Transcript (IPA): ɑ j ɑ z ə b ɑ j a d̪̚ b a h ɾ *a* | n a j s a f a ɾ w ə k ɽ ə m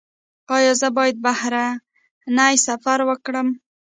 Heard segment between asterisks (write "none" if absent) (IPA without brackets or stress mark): a